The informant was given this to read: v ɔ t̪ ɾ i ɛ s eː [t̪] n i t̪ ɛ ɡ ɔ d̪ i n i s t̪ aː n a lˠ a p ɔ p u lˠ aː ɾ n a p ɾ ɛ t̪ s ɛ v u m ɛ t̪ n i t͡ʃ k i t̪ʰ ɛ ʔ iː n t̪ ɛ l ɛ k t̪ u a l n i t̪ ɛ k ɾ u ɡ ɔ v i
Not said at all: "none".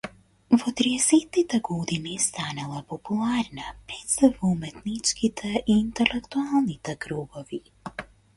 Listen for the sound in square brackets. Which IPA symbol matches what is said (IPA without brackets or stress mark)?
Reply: t̪